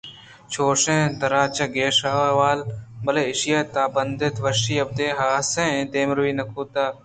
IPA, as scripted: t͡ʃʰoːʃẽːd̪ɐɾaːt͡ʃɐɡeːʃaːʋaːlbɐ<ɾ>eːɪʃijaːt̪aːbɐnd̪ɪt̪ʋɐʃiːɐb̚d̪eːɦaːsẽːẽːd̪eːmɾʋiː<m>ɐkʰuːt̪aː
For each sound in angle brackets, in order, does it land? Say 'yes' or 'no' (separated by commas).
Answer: no, no